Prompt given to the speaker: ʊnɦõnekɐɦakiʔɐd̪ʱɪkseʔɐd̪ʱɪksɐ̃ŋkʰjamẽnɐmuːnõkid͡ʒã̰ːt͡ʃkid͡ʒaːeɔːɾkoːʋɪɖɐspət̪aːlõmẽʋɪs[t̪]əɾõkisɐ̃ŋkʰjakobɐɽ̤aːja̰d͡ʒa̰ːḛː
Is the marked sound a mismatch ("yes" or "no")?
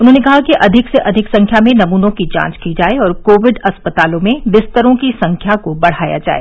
no